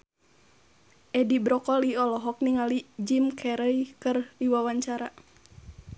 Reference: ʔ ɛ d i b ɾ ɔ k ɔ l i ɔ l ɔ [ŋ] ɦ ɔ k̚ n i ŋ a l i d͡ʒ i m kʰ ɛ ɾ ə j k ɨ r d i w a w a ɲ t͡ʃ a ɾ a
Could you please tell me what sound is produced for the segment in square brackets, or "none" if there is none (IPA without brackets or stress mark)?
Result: none